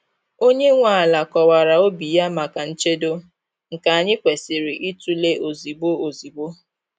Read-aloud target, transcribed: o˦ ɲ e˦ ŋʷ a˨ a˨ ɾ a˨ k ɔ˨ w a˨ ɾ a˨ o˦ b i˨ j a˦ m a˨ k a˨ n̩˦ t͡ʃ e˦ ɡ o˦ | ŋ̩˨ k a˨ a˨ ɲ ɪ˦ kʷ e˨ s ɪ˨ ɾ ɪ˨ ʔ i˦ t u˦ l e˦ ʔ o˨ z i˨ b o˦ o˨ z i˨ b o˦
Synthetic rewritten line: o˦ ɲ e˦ ŋʷ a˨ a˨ l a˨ k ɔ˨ w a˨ ɾ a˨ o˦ b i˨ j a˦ m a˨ k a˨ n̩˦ t͡ʃ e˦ d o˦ | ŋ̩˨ k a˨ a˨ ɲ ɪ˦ kʷ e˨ s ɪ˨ ɾ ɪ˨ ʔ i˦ t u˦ l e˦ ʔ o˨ z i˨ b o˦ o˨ z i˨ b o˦